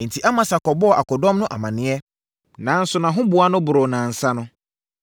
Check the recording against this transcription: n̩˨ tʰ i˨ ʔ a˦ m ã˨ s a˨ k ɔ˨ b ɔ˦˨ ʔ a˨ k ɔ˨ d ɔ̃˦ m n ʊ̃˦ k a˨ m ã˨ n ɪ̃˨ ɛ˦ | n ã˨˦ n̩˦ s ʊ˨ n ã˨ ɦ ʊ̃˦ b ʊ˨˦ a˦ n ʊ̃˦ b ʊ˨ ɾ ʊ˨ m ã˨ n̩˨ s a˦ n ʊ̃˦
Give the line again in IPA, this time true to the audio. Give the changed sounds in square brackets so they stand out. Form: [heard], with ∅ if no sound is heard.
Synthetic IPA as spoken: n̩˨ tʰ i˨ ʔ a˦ m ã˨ s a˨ k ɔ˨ b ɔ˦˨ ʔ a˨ k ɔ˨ d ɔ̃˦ m n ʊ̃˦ [ʔ] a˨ m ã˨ n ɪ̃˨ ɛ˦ | n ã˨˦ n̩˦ s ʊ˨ n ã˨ ɦ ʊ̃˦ b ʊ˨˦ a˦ n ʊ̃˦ b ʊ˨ ɾ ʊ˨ [n] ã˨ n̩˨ s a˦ n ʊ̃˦